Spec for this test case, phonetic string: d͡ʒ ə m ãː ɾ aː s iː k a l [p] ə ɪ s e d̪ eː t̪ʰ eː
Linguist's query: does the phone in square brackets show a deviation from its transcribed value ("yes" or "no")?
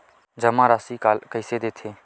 yes